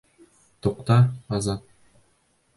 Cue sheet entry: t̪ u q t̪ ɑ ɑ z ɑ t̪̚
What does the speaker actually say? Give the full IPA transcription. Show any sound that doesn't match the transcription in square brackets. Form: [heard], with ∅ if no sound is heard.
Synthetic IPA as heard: t̪ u q t̪ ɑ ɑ z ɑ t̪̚